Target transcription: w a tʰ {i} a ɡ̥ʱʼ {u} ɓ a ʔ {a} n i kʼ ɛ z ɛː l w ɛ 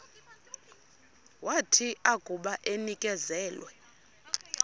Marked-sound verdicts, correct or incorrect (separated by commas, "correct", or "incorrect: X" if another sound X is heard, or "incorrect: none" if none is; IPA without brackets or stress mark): correct, correct, incorrect: e